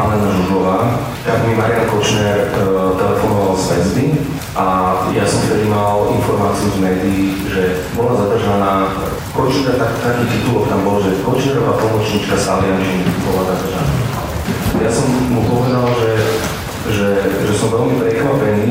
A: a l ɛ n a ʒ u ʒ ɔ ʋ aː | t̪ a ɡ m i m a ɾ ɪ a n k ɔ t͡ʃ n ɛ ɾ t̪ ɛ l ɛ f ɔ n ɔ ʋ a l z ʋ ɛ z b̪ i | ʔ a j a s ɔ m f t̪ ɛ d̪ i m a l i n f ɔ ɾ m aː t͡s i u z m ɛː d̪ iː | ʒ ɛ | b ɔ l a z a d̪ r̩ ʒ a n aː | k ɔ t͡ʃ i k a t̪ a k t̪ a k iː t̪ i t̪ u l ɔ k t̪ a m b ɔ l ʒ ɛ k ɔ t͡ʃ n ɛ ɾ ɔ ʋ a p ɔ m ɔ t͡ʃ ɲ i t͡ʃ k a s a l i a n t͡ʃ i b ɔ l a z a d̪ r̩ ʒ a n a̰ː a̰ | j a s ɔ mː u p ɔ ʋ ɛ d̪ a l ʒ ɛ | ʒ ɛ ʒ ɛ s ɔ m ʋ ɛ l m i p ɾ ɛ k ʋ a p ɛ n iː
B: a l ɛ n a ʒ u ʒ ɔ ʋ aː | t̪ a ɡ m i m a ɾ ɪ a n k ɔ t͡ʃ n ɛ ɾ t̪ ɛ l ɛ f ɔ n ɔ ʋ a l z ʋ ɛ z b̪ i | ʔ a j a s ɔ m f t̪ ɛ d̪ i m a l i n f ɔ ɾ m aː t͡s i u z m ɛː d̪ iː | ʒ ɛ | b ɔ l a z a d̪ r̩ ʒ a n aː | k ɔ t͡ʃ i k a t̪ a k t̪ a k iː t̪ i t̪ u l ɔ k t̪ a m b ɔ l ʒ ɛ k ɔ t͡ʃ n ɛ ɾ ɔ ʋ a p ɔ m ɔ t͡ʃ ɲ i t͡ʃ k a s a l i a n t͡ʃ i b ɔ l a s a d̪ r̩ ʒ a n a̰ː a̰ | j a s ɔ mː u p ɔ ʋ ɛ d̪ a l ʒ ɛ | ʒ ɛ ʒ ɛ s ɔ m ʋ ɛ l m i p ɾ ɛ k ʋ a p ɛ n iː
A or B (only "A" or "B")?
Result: A